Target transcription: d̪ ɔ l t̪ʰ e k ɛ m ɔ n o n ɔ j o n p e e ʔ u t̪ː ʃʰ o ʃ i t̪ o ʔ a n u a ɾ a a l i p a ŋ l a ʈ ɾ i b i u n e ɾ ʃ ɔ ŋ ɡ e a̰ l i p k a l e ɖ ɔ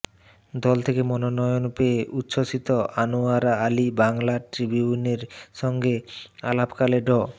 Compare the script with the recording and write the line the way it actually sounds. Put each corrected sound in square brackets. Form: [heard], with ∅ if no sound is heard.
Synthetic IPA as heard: d̪ ɔ l t̪ʰ e k [e] m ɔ n o n ɔ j o n p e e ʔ u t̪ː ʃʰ o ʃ i t̪ o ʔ a n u a ɾ a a l i [b] a ŋ l a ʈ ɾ i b i u n e ɾ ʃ ɔ ŋ ɡ e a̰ l [a] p k a l e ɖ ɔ